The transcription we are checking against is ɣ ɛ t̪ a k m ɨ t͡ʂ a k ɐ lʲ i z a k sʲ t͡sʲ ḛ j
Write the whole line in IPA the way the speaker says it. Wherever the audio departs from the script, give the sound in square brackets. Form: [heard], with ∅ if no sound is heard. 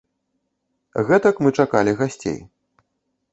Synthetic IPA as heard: ɣ ɛ t̪ [ɐ] k m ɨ t͡ʂ a k [a] lʲ i [ɣ] a [∅] sʲ t͡sʲ ḛ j